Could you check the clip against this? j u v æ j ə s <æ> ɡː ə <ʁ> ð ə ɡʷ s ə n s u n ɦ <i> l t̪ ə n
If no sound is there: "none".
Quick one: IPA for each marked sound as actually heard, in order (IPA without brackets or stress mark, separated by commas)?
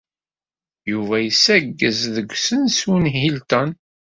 æ, z, i